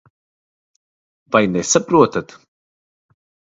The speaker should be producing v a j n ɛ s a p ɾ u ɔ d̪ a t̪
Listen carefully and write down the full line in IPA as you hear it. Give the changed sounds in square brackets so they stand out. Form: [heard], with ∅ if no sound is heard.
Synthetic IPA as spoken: v a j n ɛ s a p ɾ u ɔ [t̪] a t̪